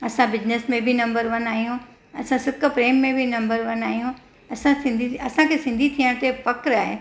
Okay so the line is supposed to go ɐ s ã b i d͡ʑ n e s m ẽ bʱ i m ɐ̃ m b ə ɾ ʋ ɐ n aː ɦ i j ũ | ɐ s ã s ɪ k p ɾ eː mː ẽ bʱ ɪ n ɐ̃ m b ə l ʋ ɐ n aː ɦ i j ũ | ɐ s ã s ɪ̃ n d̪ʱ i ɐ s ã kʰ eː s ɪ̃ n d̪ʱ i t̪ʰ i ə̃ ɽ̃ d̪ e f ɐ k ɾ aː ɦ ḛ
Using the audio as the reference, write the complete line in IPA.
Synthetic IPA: ɐ s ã b ɪ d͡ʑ n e s m ẽ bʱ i n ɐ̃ m b ə ɾ ʋ ɐ n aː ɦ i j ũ | ɐ s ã s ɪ k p ɾ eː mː ẽ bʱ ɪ n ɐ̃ m b ə ɾ ʋ ɐ n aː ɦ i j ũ | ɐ s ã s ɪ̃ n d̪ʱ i ɐ s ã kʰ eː s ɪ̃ n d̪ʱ i t̪ʰ i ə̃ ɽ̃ t̪ e f ɐ k ɾ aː ɦ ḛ

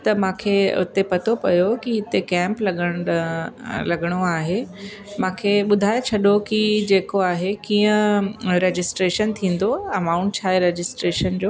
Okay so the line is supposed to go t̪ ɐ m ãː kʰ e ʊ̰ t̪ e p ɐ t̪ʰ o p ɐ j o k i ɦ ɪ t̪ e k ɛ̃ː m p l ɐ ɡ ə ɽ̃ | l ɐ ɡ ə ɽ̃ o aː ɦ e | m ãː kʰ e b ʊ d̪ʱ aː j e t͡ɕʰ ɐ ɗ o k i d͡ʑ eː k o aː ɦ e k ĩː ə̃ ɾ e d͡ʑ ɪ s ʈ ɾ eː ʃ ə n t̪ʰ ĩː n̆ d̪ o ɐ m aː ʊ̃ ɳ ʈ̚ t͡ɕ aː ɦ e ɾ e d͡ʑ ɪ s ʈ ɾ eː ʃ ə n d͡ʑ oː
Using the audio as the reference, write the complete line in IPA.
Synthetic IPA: t̪ ɐ m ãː kʰ e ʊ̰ t̪ e p ɐ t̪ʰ o p ɐ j o k i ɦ ɪ t̪ e k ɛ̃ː m p l ɐ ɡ ə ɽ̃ | l ɐ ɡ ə ɽ̃ o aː ɦ e | m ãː kʰ e ɓ ʊ d̪ʱ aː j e t͡ɕʰ ɐ ɗ o k i d͡ʑ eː k o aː ɦ e k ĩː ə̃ ɾ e d͡ʑ ɪ s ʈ ɾ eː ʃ ə n t̪ʰ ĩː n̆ d̪ o ɐ m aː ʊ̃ ɳ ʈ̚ t͡ɕʰ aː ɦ e ɾ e d͡ʑ ɪ s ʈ ɾ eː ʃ ə n d͡ʑ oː

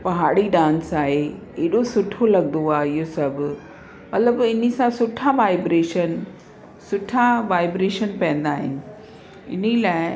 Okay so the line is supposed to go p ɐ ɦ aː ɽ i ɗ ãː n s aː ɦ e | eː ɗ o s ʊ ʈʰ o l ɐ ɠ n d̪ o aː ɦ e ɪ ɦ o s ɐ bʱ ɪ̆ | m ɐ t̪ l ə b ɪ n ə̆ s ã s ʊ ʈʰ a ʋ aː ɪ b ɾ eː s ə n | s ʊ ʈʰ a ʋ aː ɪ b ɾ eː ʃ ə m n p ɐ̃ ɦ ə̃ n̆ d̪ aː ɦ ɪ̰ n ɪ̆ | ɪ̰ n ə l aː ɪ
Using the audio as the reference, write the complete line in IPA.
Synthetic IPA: p ɐ ɦ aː ɽ i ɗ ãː n s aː ɦ e | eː ɗ o s ʊ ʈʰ o l ɐ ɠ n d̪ o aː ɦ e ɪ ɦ o s ɐ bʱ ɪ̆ | m ɐ t̪ l ə b ɪ n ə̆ s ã s ʊ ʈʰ a ʋ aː ɪ b ɾ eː ʃ ə n | s ʊ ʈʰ a ʋ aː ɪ b ɾ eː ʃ ə n p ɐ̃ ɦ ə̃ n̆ d̪ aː ɦ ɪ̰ n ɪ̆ | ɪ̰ n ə l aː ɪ

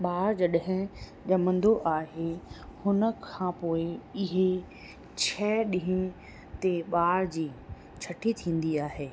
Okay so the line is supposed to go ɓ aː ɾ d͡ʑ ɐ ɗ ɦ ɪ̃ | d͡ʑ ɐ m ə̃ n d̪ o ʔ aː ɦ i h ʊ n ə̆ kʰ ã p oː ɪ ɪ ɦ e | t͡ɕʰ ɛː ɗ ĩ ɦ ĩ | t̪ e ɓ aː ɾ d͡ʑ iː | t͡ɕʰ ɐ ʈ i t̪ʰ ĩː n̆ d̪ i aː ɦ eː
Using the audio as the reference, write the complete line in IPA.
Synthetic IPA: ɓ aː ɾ d͡ʑ ɐ ɗ ɦ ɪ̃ | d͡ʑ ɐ m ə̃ n d̪ o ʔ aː ɦ e h ʊ n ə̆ kʰ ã p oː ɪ ɪ ɦ e | t͡ɕʰ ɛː ɗ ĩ ɦ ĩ | t̪ e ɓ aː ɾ d͡ʑ iː | t͡ɕʰ ɐ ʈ i t̪ʰ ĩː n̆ d̪ i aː ɦ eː

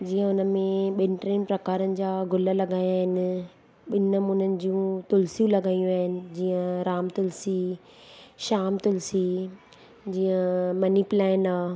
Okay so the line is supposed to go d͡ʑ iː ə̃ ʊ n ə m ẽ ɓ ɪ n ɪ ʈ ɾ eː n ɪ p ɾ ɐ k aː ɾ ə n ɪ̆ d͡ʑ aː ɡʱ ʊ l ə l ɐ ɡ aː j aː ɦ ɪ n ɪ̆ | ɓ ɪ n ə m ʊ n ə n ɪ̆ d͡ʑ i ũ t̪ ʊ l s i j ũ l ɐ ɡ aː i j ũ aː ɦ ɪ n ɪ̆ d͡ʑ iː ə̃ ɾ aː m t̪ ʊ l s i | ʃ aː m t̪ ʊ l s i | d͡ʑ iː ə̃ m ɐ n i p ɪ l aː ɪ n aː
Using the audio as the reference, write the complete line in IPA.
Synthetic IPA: d͡ʑ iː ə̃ ʊ n ə m ẽ ɓ ɪ n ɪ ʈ ɾ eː n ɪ p ɾ ɐ k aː ɾ ə n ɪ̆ d͡ʑ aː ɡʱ ʊ l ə l ɐ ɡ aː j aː ɦ ɪ n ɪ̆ | ɓ ɪ n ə m ʊ n ə n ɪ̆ d͡ʑ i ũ t̪ ʊ l s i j ũ l ɐ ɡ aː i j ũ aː ɦ ɪ n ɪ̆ d͡ʑ iː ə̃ ɾ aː m t̪ ʊ l s i | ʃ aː m t̪ ʊ l s i | d͡ʑ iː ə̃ m ɐ n i p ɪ l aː ɪ n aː

